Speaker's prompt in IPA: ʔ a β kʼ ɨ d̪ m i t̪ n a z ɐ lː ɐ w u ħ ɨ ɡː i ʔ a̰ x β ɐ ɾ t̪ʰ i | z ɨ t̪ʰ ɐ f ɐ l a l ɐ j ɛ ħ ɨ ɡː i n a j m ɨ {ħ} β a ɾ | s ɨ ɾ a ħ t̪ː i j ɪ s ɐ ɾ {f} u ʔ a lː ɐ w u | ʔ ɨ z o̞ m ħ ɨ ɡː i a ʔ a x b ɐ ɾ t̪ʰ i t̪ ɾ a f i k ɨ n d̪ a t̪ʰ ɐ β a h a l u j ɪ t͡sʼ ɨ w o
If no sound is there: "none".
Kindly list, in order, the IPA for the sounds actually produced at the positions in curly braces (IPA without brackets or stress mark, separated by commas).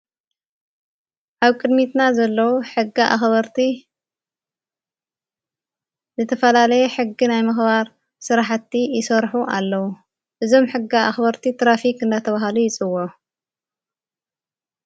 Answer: x, ħ